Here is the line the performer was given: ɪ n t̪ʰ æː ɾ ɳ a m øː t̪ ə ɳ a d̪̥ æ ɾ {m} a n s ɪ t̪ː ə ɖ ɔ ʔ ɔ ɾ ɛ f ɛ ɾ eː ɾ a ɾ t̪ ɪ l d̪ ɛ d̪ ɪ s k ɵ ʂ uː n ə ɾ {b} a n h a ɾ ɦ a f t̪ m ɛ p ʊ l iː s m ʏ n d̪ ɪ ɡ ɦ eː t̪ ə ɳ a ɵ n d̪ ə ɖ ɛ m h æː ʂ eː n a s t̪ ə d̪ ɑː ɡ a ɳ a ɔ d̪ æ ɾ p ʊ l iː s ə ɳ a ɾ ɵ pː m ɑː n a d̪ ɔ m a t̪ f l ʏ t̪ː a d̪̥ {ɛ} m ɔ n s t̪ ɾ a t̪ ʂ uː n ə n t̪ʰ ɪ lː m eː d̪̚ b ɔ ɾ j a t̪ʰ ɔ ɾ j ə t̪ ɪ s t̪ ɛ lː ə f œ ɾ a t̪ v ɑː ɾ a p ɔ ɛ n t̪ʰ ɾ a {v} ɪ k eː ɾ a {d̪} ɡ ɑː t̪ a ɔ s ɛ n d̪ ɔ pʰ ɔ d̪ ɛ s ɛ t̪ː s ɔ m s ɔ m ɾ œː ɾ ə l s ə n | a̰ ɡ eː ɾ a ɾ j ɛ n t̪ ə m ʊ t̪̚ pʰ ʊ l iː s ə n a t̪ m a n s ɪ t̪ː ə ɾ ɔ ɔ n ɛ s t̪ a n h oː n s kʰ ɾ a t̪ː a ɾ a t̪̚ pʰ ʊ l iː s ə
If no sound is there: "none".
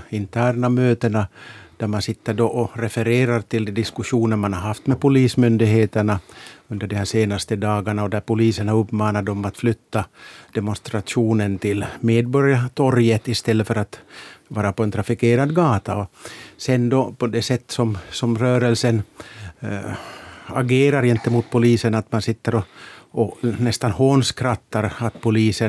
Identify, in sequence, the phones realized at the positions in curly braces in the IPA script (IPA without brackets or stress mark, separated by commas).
m, m, ɛ, f, d̪